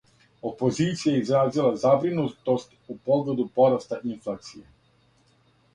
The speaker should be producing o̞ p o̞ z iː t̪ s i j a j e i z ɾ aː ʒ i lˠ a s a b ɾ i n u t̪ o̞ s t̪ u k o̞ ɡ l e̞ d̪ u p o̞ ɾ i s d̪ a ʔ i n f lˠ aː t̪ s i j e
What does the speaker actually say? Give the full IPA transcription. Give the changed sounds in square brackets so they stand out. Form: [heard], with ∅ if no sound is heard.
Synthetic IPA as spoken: o̞ p o̞ z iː t̪ s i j a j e i z ɾ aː [z] i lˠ a [z] a b ɾ i n u t̪ o̞ s t̪ u [p] o̞ ɡ l e̞ d̪ u p o̞ ɾ [a] s [t̪] a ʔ i n f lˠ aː t̪ s i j e